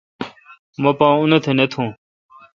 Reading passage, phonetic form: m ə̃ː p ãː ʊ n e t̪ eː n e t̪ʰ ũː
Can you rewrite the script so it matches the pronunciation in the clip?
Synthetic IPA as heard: m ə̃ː p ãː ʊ n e t̪ʰ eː n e t̪ʰ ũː